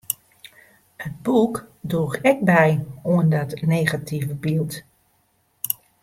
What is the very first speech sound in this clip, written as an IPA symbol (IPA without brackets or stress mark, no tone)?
ə